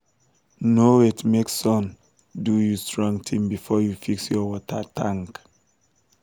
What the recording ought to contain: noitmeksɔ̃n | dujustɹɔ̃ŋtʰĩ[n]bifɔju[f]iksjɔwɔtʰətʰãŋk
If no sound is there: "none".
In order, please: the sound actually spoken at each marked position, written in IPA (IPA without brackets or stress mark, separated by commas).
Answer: m, f